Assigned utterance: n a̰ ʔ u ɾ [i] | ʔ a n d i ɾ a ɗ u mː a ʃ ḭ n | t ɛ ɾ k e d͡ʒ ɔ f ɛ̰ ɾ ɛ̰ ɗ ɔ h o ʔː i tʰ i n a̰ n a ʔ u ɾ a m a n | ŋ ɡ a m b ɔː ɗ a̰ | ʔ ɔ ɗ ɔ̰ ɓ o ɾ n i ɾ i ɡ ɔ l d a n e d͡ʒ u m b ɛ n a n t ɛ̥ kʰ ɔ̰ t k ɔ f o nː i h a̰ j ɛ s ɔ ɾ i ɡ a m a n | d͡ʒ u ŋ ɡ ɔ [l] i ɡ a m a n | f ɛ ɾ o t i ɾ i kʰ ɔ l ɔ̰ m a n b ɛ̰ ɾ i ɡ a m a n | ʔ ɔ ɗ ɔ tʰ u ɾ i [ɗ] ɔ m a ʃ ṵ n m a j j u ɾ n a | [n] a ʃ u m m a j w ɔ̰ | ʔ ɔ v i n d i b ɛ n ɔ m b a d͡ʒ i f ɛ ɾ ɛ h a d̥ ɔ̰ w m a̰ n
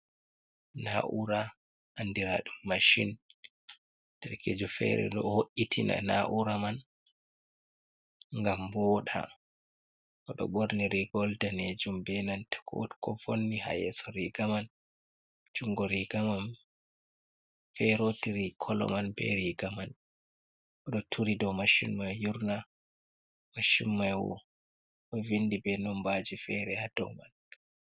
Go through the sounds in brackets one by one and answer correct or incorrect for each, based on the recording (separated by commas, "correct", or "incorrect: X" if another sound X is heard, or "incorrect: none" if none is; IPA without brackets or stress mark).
incorrect: a, incorrect: ɾ, incorrect: d, incorrect: m